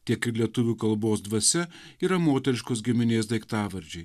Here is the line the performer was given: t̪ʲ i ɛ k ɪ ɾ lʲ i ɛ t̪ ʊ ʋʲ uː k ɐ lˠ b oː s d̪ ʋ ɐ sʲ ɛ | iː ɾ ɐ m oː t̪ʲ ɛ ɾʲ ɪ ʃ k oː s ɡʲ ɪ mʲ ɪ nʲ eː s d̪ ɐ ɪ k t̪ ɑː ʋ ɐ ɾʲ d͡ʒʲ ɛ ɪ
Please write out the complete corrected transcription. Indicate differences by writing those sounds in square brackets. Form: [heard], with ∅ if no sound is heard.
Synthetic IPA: t̪ʲ i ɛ k ɪ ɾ lʲ i ɛ t̪ ʊ ʋʲ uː k ɐ lˠ b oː s d̪ ʋ ɐ sʲ ɛ | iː ɾ ɐ m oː t̪ʲ ɛ ɾʲ ɪ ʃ k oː s ɡʲ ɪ mʲ ɪ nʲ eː s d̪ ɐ ɪ k t̪ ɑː ʋ ɐ ɾʲ d͡ʒʲ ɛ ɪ